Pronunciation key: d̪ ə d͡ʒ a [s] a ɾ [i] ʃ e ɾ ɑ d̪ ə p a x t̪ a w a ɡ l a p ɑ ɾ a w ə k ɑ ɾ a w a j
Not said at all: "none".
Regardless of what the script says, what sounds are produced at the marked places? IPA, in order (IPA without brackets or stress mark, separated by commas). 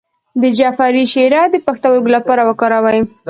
f, i